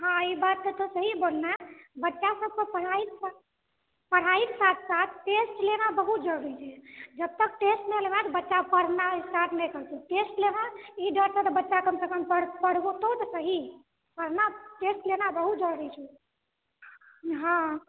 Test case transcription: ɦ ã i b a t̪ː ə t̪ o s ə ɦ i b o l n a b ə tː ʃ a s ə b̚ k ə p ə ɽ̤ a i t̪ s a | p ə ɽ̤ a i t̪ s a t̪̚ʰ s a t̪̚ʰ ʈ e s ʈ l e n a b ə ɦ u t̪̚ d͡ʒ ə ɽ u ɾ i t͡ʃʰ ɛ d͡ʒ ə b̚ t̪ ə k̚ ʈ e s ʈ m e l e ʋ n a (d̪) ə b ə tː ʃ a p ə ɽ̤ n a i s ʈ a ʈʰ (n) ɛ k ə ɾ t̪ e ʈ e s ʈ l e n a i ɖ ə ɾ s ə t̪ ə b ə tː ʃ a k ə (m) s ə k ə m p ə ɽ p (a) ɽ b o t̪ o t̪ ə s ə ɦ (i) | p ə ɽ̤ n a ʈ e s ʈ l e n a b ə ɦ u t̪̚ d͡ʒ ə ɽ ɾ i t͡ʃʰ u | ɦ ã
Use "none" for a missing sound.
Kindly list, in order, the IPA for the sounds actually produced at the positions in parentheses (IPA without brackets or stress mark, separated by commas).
t̪, n, m, ə, i